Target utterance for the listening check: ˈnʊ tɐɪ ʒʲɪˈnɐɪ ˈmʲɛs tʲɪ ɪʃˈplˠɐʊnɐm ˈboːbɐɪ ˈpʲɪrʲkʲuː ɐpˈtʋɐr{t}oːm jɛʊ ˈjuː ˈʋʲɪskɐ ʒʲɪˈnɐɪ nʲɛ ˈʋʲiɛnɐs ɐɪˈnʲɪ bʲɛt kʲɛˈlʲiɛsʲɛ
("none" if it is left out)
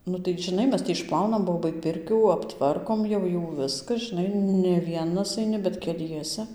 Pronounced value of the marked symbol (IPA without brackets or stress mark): k